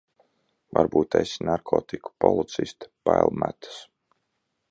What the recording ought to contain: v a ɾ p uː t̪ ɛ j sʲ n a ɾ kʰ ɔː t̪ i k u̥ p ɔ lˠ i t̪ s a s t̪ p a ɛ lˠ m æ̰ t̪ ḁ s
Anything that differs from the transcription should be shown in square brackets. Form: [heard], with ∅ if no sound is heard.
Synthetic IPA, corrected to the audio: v a ɾ [b] uː t̪ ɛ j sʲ n a ɾ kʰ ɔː t̪ i k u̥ p ɔ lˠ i t̪ s [i] s t̪ p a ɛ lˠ m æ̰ t̪ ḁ s